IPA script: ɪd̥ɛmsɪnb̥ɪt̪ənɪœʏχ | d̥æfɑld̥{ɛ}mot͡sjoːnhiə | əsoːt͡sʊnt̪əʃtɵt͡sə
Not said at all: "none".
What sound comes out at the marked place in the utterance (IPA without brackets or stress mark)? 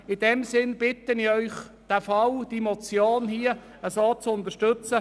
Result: i